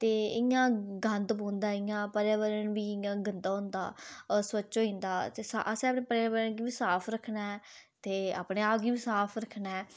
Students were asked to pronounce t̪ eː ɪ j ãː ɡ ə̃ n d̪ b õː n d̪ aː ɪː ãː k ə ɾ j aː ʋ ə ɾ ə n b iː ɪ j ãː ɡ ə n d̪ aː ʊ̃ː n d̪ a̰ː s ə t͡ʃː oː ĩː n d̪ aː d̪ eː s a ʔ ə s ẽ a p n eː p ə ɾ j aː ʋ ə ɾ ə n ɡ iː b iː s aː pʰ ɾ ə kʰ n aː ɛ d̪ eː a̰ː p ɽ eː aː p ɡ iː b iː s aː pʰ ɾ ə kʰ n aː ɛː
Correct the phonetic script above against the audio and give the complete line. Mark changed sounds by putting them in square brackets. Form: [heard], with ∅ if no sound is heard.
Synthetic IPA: t̪ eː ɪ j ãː ɡ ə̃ n d̪ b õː n d̪ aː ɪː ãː [p] ə ɾ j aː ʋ ə ɾ ə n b iː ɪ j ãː ɡ ə n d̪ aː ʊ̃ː n d̪ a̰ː s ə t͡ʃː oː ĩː n d̪ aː [t̪] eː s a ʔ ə s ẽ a p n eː p ə ɾ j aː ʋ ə ɾ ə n ɡ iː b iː s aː pʰ ɾ ə kʰ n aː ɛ [t̪] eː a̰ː p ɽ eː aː p ɡ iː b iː s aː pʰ ɾ ə kʰ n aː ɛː